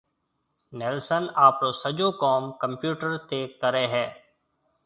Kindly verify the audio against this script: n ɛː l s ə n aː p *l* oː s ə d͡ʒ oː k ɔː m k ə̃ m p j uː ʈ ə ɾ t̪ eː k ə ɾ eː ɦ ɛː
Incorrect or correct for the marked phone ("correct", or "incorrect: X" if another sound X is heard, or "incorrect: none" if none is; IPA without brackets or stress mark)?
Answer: incorrect: ɾ